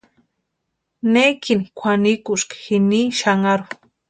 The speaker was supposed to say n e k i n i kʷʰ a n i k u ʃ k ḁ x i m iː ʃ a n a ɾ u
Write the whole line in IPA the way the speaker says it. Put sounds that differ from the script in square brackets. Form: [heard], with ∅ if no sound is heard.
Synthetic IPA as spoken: n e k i n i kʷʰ a n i k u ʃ k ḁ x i [n] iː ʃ a [ŋ] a ɾ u